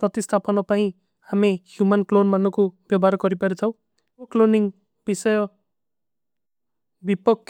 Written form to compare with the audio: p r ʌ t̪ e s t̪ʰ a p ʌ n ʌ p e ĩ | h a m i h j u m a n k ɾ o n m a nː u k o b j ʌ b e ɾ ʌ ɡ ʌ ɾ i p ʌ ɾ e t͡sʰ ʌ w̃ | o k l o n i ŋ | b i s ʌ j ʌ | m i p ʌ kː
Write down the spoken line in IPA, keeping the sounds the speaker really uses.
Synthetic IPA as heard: p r ʌ t̪ i s t̪ʰ a p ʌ n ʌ p a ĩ | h a m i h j u m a n k l o n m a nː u k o b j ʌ b a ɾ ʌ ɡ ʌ ɾ i p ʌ ɾ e t͡sʰ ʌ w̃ | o k l o n i ŋ | b i s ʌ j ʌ | b i p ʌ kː